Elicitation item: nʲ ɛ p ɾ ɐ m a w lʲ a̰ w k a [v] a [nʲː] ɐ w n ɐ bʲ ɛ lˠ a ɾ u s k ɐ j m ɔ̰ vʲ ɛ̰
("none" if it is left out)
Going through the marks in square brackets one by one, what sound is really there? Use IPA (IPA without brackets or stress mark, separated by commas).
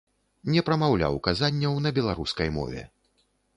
z, nʲː